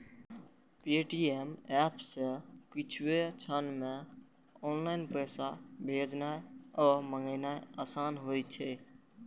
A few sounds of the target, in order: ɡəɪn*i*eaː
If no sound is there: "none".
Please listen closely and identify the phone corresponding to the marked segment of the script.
a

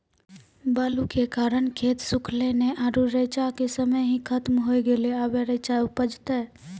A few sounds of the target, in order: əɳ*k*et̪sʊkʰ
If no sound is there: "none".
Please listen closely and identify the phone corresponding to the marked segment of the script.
kʰ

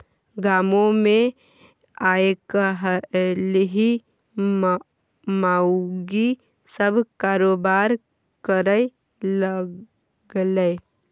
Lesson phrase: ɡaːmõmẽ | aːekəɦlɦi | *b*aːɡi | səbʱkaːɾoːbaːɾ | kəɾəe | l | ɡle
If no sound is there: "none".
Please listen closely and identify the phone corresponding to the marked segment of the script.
m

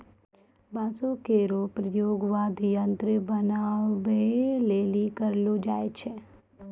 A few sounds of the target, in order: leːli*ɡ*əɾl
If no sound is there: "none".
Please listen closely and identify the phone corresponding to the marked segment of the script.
k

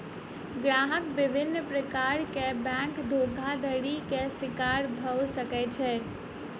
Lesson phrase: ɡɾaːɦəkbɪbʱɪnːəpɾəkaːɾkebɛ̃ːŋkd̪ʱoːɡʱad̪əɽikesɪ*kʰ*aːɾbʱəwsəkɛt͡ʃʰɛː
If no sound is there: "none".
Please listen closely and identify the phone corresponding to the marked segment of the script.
k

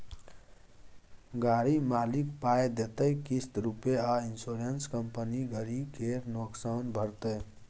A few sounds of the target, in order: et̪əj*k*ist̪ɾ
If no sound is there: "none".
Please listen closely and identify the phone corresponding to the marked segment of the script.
k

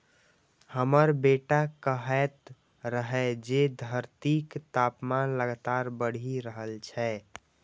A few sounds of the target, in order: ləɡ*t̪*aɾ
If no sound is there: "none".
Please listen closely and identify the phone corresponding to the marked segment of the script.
t̪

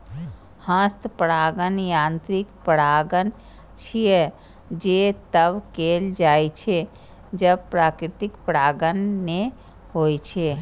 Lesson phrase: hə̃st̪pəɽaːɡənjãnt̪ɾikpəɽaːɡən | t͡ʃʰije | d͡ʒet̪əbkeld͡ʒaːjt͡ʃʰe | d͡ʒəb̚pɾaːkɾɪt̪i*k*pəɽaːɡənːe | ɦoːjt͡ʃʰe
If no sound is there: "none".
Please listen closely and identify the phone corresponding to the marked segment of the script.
k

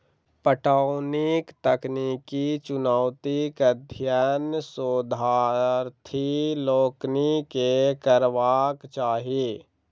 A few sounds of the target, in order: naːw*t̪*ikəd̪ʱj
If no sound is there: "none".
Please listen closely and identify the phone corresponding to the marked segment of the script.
t̪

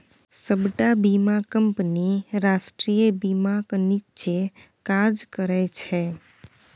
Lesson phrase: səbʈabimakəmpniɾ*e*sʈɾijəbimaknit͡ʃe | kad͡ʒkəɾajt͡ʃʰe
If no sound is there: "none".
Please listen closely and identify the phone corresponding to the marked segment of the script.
a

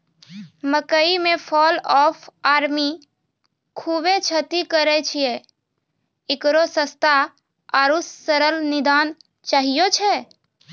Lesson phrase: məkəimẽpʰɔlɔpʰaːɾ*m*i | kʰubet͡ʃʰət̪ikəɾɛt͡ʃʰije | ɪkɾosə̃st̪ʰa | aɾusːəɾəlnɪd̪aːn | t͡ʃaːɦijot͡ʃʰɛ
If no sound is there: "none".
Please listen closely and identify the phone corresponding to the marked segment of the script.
m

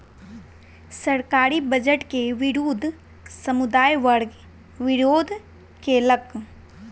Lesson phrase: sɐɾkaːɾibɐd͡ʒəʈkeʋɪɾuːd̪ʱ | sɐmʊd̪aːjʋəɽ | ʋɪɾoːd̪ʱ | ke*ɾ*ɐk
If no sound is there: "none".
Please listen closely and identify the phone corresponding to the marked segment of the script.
l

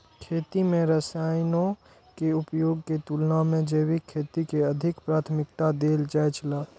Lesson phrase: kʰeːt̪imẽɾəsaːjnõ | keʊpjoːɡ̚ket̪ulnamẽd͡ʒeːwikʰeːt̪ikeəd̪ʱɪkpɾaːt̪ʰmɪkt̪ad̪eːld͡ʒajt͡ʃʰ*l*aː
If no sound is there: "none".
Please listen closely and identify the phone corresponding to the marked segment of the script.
l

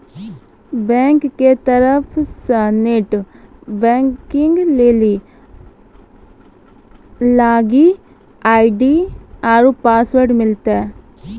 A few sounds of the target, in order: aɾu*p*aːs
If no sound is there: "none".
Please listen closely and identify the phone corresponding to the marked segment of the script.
p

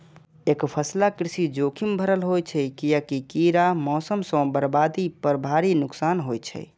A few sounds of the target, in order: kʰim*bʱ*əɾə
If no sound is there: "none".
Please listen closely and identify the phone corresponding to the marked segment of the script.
bʱ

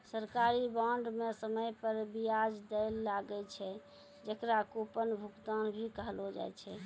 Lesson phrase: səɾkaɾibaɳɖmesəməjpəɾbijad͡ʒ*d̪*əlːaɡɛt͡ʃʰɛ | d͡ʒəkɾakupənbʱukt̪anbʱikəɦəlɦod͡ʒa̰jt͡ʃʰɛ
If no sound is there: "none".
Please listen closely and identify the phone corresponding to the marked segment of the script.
d̪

